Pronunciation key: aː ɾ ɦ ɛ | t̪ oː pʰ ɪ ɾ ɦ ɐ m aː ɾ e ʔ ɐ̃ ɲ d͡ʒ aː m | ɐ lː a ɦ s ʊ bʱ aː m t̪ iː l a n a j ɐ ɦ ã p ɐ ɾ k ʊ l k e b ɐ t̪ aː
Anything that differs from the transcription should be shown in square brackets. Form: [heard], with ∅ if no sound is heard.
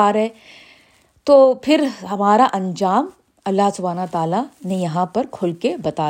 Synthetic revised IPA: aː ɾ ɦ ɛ | t̪ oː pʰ ɪ ɾ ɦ ɐ m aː ɾ [a] ʔ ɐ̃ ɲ d͡ʒ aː m | ɐ lː a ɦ s ʊ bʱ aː [n] t̪ [aː] l a n [e] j ɐ ɦ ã p ɐ ɾ [kʰ] ʊ l k e b ɐ t̪ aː